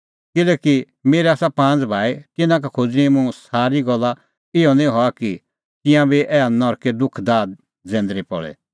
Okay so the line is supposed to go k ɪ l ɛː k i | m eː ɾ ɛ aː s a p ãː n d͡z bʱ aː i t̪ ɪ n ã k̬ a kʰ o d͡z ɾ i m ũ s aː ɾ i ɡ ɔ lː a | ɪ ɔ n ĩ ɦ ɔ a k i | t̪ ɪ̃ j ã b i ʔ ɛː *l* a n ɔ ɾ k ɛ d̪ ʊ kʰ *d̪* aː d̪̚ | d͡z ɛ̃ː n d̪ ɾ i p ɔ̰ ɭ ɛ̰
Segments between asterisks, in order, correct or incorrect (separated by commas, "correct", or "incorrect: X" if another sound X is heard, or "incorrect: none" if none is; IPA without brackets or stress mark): incorrect: none, correct